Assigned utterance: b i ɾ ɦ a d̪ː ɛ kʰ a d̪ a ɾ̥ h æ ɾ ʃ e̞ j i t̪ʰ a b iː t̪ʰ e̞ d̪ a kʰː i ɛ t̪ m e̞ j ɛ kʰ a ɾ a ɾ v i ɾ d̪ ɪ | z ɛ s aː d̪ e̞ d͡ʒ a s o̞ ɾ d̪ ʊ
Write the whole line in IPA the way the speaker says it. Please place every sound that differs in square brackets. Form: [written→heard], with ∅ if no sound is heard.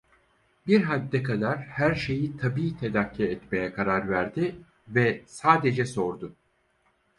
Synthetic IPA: b i ɾ ɦ a d̪ː ɛ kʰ a d̪ a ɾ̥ h æ ɾ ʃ e̞ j i t̪ʰ a b iː t̪ʰ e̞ d̪ a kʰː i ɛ t̪ m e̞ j ɛ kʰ a ɾ a ɾ v [i→æ] ɾ d̪ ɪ | [z→v] ɛ s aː d̪ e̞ d͡ʒ [a→ɛ] s o̞ ɾ d̪ ʊ